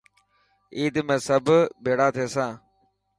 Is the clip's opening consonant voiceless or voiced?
voiced